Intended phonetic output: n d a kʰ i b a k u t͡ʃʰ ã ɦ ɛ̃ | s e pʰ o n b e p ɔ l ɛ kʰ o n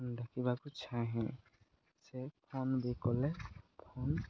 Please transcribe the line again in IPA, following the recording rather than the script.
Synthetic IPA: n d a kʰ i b a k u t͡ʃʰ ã ɦ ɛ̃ | s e pʰ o n b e k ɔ l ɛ pʰ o n